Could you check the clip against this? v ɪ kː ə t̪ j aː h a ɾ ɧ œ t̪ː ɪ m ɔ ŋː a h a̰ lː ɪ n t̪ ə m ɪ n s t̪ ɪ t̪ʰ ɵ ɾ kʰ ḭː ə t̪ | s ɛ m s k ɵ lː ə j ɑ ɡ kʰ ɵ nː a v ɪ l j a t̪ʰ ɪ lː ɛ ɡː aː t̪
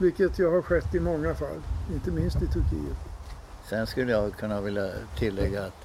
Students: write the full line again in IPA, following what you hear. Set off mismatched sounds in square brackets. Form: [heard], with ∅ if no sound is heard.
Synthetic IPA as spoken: v ɪ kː ə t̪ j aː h a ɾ ɧ [ɛ] t̪ː ɪ m ɔ ŋː a [f] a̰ lː ɪ n t̪ ə m ɪ n s t̪ ɪ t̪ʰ ɵ ɾ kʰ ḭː ə t̪ | s ɛ [n] s k ɵ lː ə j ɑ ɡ kʰ ɵ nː a v ɪ l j a t̪ʰ ɪ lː ɛ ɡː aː t̪